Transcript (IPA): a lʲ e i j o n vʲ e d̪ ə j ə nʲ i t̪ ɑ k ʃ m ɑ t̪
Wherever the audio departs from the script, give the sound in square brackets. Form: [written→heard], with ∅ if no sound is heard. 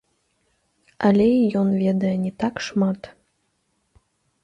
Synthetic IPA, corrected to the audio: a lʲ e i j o n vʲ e d̪ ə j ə nʲ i t̪ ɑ k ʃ m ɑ t̪